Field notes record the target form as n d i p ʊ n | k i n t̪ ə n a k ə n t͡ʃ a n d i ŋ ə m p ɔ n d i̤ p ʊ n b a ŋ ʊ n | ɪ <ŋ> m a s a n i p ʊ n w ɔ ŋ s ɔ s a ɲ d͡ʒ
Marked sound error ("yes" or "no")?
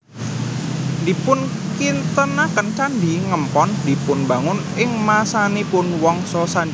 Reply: no